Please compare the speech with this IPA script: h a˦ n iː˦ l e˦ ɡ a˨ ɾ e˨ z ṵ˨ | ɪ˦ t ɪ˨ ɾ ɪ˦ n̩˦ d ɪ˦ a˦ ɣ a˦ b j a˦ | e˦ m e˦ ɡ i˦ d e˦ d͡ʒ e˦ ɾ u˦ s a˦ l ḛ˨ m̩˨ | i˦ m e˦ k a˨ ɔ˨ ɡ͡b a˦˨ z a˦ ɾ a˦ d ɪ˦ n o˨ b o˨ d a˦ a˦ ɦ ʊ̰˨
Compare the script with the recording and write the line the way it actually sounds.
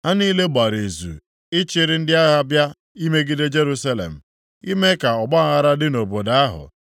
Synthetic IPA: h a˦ n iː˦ l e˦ ɡ͡b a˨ ɾ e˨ z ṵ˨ | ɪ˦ t͡ʃ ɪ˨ ɾ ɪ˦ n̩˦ d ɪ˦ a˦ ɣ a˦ b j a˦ | i˦ m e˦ ɡ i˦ d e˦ d͡ʒ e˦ ɾ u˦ s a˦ l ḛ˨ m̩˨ | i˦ m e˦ k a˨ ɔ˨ ɡ͡b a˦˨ ɣ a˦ ɾ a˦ d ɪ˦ n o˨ b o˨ d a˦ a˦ ɦ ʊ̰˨